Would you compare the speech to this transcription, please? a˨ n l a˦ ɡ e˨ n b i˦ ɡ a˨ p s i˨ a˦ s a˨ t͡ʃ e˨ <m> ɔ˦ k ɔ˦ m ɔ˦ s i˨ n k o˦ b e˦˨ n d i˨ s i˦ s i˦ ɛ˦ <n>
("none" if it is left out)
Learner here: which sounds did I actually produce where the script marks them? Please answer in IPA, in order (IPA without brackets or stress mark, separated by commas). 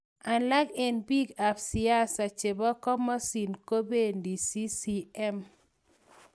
b, m